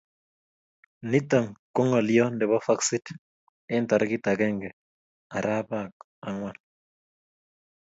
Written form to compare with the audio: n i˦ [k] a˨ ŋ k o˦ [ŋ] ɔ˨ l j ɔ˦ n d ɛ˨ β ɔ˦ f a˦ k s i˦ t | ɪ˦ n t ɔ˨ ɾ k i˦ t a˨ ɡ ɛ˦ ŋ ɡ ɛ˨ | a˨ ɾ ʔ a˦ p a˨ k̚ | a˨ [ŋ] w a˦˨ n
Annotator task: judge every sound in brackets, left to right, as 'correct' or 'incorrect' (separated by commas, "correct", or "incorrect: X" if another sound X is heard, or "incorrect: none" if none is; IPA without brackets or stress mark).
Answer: incorrect: t, correct, correct